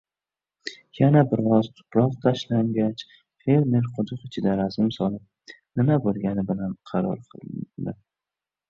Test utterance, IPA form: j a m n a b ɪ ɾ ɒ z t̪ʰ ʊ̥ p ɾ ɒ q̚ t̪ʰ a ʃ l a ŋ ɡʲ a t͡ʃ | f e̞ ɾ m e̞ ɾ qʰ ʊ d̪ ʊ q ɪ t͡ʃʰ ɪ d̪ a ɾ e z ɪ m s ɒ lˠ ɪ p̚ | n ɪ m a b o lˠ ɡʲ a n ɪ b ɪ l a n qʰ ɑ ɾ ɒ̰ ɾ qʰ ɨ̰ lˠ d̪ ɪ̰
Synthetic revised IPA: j a n a b ɪ ɾ ɒ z t̪ʰ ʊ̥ p ɾ ɒ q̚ t̪ʰ a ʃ l a ŋ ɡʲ a t͡ʃ | f e̞ ɾ m e̞ ɾ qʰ ʊ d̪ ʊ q ɪ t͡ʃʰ ɪ d̪ a ɾ a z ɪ m s ɒ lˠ ɪ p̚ | n ɪ m a b o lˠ ɡʲ a n ɪ b ɪ l a n qʰ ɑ ɾ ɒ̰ ɾ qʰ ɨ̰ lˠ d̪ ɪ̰